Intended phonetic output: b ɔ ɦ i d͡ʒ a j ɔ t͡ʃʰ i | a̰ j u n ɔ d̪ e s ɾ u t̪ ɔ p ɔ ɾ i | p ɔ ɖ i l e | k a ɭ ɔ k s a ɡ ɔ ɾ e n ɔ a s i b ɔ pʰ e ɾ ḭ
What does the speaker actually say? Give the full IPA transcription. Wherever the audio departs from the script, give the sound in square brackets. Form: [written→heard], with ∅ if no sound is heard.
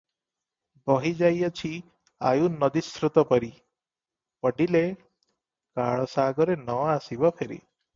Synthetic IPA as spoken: b ɔ ɦ i d͡ʒ a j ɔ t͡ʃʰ i | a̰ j u n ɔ d̪ [e→i] s ɾ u t̪ ɔ p ɔ ɾ i | p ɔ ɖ i l e | k a ɭ ɔ [k→∅] s a ɡ ɔ ɾ e n ɔ a s i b ɔ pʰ e ɾ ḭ

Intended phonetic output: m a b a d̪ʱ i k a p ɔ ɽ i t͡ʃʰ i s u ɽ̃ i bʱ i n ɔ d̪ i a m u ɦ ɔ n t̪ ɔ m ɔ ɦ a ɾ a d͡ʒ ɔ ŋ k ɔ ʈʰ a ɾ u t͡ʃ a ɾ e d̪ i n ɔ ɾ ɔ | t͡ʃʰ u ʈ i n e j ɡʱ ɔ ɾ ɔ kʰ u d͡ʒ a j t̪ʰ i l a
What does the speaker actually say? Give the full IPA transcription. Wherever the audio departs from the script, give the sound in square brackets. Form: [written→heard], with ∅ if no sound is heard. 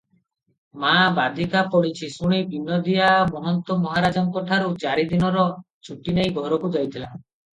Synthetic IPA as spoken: m a b a d̪ʱ i k a p ɔ ɽ i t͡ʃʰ i s u ɽ̃ i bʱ i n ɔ d̪ i a m [u→ɔ] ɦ ɔ n t̪ ɔ m ɔ ɦ a ɾ a d͡ʒ ɔ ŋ k ɔ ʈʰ a ɾ u t͡ʃ a ɾ [e→i] d̪ i n ɔ ɾ ɔ | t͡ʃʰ u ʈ i n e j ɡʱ ɔ ɾ ɔ [kʰ→k] u d͡ʒ a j t̪ʰ i l a

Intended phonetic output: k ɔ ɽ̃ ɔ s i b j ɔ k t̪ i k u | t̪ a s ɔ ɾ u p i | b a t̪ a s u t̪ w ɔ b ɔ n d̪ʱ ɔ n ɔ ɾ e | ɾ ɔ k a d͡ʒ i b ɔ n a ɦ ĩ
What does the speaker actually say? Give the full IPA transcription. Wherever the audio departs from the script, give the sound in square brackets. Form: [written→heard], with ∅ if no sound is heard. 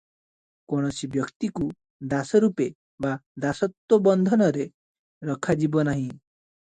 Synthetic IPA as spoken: k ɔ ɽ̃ ɔ s i b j ɔ k t̪ i k u | [t̪→d̪] a s ɔ ɾ u p [i→e] | b a [t̪→d̪] a s [u→ɔ] t̪ w ɔ b ɔ n d̪ʱ ɔ n ɔ ɾ e | ɾ ɔ [k→kʰ] a d͡ʒ i b ɔ n a ɦ ĩ

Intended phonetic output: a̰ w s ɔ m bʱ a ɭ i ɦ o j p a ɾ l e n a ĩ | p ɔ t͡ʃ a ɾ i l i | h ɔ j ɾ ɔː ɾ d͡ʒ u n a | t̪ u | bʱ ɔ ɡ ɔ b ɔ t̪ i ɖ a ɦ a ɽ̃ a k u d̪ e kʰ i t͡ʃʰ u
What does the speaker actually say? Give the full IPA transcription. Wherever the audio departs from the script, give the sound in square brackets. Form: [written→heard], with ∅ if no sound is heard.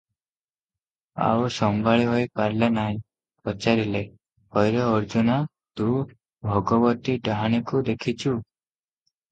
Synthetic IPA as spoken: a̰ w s ɔ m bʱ a ɭ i ɦ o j p a ɾ l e n a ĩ | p ɔ t͡ʃ a ɾ i l [i→e] | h ɔ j ɾ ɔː ɾ d͡ʒ u n a | t̪ u | bʱ ɔ ɡ ɔ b ɔ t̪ i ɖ a ɦ a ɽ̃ [a→i] k u d̪ e kʰ i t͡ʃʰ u

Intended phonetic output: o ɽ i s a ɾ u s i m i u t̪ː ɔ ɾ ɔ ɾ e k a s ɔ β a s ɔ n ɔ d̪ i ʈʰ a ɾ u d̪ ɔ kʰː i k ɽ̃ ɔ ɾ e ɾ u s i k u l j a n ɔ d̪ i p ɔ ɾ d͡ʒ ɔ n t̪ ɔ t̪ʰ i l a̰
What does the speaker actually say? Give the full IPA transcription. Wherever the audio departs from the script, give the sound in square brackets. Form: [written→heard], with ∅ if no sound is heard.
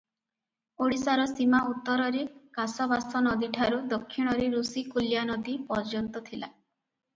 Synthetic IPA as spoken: o ɽ i s a ɾ [u→ɔ] s i m [i→a] u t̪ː ɔ ɾ ɔ ɾ e k a s ɔ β a s ɔ n ɔ d̪ i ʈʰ a ɾ u d̪ ɔ kʰː i [k→∅] ɽ̃ ɔ ɾ e ɾ u s i k u l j a n ɔ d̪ i p ɔ ɾ d͡ʒ ɔ n t̪ ɔ t̪ʰ i l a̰

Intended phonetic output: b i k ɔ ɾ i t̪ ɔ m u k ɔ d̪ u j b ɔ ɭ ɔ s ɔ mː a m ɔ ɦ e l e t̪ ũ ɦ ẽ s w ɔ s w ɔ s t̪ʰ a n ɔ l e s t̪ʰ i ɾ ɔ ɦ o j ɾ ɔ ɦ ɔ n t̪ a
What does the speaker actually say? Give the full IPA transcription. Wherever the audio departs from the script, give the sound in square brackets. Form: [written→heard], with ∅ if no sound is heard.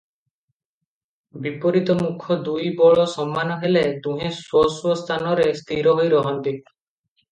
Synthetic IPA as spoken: b i [k→p] ɔ ɾ i t̪ ɔ m u [k→kʰ] ɔ d̪ u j b ɔ ɭ ɔ s ɔ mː a [m→n] ɔ ɦ e l e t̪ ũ ɦ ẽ s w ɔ s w ɔ s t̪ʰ a n ɔ [l→ɾ] e s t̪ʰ i ɾ ɔ ɦ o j ɾ ɔ ɦ ɔ n t̪ [a→i]

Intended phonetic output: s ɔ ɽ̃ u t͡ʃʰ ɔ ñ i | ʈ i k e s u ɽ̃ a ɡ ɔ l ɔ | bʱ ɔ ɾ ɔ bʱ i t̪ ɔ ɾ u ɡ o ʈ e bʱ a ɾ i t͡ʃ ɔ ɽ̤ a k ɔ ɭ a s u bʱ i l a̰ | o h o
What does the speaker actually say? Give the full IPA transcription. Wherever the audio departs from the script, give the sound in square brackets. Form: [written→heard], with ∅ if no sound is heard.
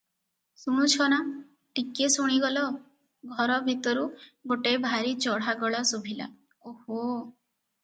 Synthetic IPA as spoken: s [ɔ→u] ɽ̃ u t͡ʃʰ ɔ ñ [i→a] | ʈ i k e s u ɽ̃ [a→i] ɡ ɔ l ɔ | [bʱ→ɡʱ] ɔ ɾ ɔ bʱ i t̪ ɔ ɾ u ɡ o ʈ e bʱ a ɾ i t͡ʃ ɔ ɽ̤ a [k→ɡ] ɔ ɭ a s u bʱ i l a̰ | o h o

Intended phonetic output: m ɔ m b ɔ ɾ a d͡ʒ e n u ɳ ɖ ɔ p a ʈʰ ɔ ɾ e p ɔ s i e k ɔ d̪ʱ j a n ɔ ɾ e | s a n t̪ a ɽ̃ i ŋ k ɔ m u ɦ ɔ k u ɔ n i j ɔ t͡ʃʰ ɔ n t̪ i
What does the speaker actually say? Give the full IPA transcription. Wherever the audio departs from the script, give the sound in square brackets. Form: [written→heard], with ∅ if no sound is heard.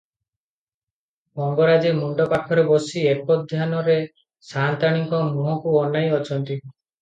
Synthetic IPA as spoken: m ɔ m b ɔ ɾ a d͡ʒ e [n→m] u ɳ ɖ ɔ p a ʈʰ ɔ ɾ e [p→b] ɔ s i e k ɔ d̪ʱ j a n ɔ ɾ e | s a n t̪ a ɽ̃ i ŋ k ɔ m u ɦ ɔ k u ɔ n [i→a] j ɔ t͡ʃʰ ɔ n t̪ i

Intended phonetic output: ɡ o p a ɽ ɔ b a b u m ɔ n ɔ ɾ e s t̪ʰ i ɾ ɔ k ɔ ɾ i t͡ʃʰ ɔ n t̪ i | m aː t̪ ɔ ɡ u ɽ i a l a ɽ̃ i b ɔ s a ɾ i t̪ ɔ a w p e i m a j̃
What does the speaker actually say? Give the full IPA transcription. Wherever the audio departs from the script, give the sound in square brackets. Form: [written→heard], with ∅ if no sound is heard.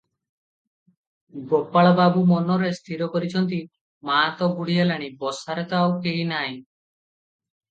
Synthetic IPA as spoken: ɡ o p a [ɽ→ɭ] ɔ b a b u m ɔ n ɔ ɾ e s t̪ʰ i ɾ ɔ k ɔ ɾ i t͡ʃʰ ɔ n t̪ i | m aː t̪ ɔ ɡ u ɽ i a l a ɽ̃ i b ɔ s a ɾ [i→e] t̪ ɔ a w [p→k] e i [m→n] a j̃

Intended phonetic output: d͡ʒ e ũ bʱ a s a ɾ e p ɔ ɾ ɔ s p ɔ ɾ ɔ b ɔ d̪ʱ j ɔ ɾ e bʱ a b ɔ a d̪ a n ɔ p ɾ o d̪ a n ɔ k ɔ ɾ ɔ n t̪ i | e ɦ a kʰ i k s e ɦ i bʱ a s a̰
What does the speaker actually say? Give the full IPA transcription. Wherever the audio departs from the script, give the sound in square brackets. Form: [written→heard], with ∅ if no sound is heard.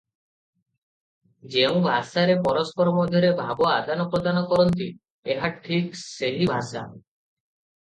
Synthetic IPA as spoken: d͡ʒ e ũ bʱ a s a ɾ e p ɔ ɾ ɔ s p ɔ ɾ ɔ [b→m] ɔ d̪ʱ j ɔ ɾ e bʱ a b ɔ a d̪ a n ɔ p ɾ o d̪ a n ɔ k ɔ ɾ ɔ n t̪ i | e ɦ a [kʰ→ʈʰ] i k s e ɦ i bʱ a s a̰

